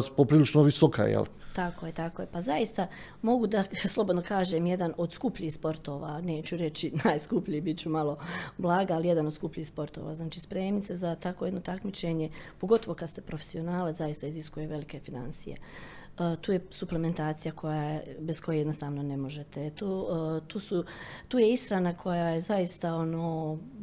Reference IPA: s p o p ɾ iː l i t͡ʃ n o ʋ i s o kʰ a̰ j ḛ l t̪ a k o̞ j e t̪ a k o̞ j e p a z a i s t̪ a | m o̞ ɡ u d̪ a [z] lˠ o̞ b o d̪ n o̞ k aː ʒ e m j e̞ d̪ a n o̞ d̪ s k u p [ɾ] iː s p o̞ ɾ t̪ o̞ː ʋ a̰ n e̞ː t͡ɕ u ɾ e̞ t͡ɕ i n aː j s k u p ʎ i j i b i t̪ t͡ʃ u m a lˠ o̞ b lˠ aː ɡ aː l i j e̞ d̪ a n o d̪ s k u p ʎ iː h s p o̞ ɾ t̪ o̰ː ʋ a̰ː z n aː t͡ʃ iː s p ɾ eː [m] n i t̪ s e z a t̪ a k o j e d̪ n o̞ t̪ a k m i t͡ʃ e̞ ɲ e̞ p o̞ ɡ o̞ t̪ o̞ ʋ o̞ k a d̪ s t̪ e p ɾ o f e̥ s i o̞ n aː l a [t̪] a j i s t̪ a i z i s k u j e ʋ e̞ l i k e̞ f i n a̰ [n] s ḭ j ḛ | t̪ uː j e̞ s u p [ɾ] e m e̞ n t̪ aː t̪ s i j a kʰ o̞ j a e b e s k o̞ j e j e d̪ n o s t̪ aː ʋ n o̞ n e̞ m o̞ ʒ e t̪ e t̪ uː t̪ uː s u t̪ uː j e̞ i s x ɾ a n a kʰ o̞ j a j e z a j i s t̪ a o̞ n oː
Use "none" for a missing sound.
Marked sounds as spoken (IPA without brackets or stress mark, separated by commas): s, ʎ, m, t̪, n, l